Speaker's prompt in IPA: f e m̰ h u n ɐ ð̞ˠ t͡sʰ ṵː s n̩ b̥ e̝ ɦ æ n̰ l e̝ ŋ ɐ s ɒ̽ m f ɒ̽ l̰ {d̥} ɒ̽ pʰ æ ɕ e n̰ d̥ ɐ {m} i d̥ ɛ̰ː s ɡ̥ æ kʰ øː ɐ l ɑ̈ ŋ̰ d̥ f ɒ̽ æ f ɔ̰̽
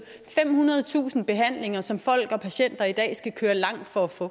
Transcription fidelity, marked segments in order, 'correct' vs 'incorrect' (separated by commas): incorrect, incorrect